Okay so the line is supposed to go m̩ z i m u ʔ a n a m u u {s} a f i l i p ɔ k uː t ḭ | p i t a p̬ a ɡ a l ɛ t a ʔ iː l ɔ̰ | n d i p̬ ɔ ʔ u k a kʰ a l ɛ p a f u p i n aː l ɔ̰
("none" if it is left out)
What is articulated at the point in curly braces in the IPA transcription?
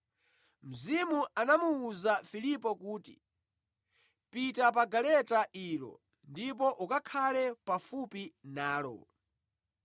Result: z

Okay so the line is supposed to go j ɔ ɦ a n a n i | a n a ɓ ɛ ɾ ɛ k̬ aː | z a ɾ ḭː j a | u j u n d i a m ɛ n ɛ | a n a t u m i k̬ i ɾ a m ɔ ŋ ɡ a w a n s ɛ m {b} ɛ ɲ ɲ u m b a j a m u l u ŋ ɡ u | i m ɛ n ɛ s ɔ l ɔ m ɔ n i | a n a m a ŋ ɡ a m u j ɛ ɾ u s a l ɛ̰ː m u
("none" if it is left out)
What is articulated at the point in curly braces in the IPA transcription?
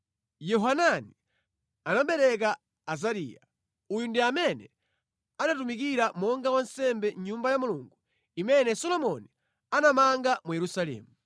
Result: b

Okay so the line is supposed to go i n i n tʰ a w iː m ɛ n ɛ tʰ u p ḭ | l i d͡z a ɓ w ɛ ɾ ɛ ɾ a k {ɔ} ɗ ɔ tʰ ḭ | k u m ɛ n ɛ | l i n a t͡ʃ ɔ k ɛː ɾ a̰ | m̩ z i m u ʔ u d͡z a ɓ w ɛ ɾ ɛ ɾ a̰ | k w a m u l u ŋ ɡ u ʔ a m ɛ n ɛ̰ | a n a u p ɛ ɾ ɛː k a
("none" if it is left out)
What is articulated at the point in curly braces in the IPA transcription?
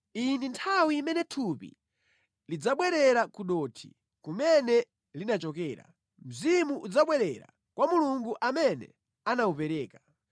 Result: u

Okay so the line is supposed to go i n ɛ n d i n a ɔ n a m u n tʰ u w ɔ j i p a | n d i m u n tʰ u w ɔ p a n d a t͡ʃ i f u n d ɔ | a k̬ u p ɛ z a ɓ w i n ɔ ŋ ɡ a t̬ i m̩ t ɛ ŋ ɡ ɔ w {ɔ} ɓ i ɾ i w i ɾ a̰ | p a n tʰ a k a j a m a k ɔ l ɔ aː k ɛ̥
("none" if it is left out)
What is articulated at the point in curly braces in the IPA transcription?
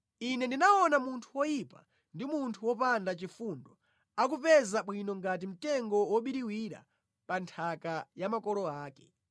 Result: ɔ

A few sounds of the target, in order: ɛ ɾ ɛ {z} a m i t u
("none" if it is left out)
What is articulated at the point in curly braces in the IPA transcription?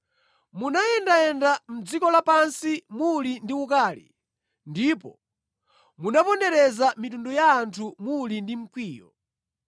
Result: z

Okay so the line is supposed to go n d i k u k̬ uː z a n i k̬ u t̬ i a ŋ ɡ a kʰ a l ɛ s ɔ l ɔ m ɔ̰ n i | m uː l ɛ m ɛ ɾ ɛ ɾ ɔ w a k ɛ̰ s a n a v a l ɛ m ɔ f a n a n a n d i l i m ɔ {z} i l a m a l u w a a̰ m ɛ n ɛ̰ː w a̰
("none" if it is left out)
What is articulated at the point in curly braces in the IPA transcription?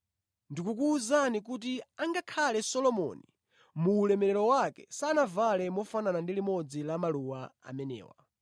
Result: d͡z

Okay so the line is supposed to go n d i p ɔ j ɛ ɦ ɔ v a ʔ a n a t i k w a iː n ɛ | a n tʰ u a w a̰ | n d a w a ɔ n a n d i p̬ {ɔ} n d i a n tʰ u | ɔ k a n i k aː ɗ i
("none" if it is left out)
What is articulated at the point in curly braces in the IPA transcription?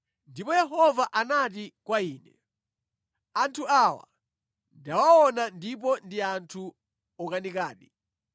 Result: ɔ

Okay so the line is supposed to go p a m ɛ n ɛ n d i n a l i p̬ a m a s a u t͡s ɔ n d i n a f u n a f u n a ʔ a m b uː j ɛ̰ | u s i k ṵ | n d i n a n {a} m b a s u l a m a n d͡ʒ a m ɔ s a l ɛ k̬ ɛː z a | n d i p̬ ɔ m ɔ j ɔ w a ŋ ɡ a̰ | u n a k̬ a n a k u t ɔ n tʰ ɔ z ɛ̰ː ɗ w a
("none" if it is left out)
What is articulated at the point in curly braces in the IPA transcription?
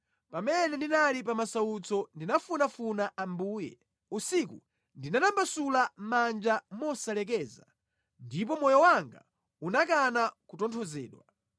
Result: a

